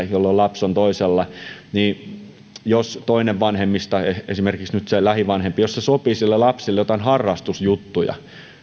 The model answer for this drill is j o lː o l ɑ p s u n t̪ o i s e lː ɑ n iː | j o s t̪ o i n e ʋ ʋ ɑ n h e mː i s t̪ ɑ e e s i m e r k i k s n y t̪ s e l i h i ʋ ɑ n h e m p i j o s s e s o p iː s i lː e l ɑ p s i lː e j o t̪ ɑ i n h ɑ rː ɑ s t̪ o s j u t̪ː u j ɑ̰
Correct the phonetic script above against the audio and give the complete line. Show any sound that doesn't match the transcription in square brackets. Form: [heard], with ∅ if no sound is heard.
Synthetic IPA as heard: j o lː o l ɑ p s [o] n t̪ o i s e lː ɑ n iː | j o s t̪ o i n e ʋ ʋ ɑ n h e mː i s t̪ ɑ e e s i m e r k i k s n y t̪ s e l [æ] h i ʋ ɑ n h e m p i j o s s e s o p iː s i lː e l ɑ p s i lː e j o t̪ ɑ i n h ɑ rː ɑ s t̪ [u] s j u t̪ː u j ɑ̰